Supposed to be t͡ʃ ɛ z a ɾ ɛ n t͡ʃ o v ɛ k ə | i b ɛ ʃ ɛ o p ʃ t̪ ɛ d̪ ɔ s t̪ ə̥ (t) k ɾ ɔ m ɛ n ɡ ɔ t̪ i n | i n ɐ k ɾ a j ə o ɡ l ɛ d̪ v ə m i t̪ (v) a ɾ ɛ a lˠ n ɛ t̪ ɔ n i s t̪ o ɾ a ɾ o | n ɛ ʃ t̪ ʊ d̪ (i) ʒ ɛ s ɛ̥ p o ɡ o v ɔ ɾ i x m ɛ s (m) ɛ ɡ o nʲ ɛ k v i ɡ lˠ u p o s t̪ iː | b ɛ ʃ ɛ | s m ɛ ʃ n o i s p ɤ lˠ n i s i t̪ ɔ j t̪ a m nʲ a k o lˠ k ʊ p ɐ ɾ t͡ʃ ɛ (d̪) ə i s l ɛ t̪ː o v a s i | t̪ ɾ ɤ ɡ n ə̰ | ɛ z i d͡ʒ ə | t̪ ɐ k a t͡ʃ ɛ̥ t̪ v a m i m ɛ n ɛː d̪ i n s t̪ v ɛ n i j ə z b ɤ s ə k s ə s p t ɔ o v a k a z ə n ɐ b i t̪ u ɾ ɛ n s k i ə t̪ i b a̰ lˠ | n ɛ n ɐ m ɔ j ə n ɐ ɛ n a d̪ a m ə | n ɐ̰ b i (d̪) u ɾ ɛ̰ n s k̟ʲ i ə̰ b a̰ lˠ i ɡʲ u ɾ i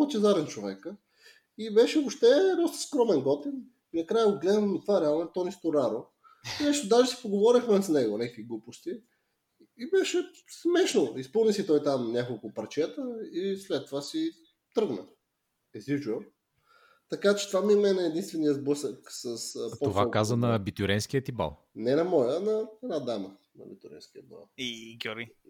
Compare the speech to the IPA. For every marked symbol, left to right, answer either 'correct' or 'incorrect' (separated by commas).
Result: incorrect, correct, incorrect, incorrect, incorrect, incorrect